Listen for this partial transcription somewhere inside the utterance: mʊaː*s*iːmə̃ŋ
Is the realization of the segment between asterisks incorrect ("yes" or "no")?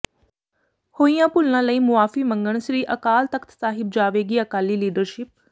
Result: yes